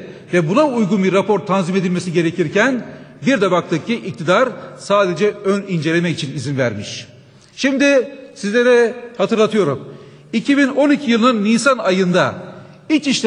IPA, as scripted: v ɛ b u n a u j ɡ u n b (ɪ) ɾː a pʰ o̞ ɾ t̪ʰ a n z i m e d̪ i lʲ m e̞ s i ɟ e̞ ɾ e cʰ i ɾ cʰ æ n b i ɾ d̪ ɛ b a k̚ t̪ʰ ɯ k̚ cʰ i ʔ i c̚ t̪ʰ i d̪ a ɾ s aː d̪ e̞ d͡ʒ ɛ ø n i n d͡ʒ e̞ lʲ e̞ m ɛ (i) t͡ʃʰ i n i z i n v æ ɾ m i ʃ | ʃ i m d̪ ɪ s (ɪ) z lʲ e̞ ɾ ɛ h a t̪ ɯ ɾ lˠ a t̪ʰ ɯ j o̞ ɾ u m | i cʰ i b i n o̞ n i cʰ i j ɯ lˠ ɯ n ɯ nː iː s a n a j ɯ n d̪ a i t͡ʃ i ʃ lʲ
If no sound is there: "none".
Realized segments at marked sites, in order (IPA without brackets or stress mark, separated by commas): i, i, i